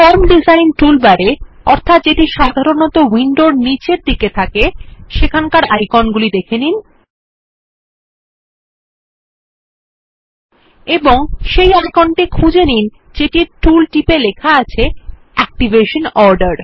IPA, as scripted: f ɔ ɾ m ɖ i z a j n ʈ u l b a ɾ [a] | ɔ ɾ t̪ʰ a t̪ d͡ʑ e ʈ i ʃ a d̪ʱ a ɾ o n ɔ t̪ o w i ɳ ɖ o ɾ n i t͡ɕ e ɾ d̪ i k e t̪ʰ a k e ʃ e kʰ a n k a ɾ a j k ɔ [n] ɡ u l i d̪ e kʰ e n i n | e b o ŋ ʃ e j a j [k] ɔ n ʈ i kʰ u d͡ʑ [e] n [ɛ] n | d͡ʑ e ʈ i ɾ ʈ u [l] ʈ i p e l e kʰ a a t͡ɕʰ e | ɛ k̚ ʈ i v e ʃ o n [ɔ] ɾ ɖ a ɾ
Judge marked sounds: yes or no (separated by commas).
no, yes, yes, yes, no, yes, yes